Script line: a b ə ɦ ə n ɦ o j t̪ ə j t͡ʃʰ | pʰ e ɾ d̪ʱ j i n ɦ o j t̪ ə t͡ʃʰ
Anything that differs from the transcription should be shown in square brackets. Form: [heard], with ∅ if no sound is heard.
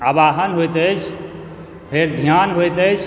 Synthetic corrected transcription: a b [a] ɦ ə n ɦ o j t̪ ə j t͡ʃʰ | pʰ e ɾ d̪ʱ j [a] n ɦ o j t̪ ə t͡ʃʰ